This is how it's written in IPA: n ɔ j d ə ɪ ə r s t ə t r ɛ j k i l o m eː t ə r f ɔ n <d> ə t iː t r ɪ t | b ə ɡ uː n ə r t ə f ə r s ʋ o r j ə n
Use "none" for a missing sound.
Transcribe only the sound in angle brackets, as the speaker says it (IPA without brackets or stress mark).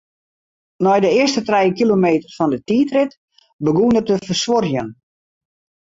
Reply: d